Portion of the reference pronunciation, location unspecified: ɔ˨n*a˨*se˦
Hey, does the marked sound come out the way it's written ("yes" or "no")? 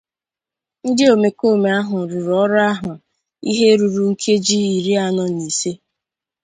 no